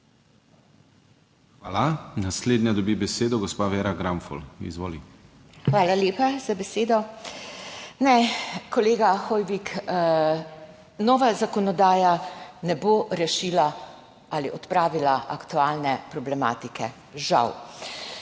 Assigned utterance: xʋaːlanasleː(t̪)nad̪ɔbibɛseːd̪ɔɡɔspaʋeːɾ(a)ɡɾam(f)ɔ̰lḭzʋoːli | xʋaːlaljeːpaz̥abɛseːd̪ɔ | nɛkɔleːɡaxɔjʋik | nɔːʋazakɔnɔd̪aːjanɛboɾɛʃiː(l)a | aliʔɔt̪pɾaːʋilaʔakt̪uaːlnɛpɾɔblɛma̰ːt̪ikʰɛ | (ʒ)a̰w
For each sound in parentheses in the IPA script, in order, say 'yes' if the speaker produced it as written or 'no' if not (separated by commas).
no, yes, yes, yes, yes